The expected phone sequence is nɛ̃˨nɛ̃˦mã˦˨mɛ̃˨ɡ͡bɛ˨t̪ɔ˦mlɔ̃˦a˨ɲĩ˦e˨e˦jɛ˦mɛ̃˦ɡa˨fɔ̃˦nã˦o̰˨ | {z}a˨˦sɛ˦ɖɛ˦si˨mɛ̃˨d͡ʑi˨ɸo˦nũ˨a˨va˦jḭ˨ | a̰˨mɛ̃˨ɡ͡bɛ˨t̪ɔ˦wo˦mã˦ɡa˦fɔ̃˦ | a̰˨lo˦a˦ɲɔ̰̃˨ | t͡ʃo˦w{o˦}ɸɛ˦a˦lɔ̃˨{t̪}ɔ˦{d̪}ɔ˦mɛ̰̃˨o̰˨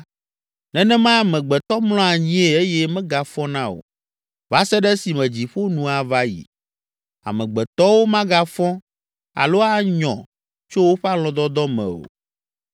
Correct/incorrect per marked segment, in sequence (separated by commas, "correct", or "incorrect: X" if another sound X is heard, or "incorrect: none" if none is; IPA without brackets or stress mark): incorrect: v, correct, incorrect: d̪, correct